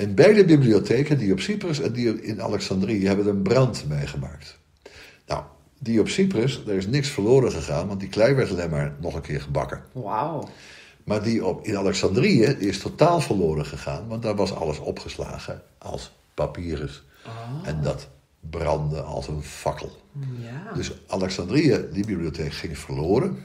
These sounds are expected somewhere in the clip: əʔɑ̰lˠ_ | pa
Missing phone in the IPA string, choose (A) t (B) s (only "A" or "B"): B